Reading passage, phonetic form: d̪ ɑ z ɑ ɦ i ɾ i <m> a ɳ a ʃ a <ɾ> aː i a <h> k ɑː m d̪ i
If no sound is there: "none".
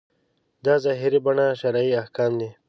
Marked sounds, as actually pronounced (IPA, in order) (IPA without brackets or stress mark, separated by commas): b, ɾ, h